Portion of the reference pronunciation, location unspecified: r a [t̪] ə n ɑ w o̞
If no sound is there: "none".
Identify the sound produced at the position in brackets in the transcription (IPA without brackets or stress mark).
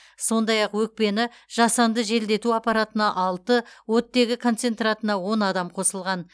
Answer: t̪